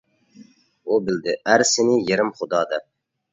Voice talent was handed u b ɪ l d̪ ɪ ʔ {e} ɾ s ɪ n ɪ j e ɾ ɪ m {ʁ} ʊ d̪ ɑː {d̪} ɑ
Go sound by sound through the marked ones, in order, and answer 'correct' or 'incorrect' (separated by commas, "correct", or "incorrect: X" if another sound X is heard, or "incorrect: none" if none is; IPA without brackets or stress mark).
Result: incorrect: æ, incorrect: χ, correct